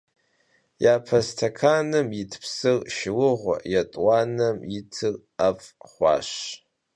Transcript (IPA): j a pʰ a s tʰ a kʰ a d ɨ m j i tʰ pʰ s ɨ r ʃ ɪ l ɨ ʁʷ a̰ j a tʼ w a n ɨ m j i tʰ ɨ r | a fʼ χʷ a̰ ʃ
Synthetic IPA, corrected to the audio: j a pʰ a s tʰ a kʰ a n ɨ m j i tʰ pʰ s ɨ r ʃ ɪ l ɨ ʁʷ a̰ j a tʼ w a n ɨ m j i tʰ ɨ r | a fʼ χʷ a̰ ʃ